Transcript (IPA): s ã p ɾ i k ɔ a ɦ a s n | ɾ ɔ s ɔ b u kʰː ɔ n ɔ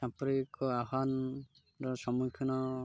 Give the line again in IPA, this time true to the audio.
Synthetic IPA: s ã p ɾ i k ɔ a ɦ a n | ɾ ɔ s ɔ m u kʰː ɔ n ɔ